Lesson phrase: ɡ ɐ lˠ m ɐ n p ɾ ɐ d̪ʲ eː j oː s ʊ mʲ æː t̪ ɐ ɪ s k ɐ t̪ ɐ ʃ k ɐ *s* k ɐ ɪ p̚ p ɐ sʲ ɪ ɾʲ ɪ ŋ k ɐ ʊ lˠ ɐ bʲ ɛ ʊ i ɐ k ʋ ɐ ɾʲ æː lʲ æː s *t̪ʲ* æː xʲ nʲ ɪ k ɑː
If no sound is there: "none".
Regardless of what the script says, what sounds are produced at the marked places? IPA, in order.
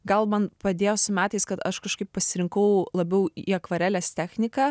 ʃ, t̪ʲ

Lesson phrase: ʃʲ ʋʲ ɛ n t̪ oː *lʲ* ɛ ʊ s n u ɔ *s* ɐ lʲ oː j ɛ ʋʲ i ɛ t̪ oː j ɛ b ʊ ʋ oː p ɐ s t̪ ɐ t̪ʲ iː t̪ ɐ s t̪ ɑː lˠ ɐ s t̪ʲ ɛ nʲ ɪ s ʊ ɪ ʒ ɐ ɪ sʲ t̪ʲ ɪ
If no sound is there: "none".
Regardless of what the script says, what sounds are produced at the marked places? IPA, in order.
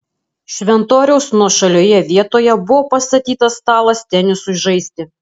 ɾʲ, ʃ

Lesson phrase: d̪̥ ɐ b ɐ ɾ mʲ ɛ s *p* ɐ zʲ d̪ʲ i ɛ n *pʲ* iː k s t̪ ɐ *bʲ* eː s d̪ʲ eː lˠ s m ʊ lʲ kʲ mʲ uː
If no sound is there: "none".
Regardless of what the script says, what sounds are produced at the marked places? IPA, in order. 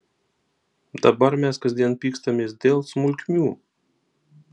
k, pʲ, mʲ

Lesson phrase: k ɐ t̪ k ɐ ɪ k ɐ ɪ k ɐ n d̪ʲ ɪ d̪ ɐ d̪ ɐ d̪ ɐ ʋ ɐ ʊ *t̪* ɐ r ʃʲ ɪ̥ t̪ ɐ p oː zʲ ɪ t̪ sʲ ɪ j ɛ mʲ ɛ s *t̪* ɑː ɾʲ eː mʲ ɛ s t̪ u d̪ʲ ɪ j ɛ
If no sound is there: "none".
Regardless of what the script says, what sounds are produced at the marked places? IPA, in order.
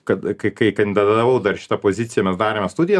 d̪, d̪

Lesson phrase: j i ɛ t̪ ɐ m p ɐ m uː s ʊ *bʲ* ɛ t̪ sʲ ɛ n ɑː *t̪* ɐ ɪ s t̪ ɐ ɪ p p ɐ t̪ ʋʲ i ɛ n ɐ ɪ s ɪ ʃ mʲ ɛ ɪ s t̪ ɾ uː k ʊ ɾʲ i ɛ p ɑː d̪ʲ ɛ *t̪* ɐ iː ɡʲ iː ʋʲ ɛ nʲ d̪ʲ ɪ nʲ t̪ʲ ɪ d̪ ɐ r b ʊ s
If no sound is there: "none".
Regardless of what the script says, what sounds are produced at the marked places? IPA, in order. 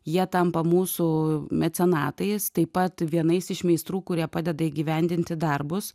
mʲ, t̪, d̪

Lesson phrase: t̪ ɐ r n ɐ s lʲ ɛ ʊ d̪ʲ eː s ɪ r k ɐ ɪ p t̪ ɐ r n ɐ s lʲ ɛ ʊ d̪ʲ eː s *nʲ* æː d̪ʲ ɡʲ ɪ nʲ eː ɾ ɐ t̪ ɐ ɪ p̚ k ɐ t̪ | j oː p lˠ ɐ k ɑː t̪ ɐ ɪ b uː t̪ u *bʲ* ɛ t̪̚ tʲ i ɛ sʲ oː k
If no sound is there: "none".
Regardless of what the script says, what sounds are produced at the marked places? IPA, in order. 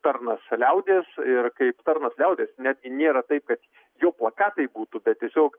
nʲ, bʲ

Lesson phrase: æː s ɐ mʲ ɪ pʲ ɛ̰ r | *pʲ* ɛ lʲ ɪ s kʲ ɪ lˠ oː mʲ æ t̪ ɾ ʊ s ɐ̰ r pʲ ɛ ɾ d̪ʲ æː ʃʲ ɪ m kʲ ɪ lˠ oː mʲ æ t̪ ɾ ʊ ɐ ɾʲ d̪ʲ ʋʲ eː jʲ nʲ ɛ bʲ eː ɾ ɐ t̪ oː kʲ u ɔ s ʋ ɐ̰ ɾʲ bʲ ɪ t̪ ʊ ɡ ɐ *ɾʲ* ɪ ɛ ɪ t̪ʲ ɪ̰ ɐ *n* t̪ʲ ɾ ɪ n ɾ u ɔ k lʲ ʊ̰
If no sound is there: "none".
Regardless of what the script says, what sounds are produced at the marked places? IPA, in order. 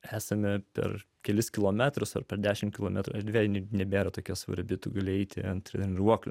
kʲ, lʲ, n

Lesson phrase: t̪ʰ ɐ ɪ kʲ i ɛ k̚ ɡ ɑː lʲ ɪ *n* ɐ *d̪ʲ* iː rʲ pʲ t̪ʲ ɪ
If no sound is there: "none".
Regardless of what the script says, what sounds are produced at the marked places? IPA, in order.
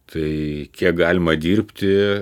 m, d̪ʲ

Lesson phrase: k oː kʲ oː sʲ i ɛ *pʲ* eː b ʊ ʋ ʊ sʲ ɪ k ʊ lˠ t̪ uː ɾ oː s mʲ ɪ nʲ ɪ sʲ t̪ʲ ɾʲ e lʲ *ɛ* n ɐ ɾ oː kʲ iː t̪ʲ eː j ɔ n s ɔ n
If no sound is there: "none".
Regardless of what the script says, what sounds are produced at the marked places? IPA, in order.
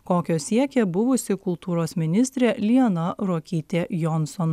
kʲ, i

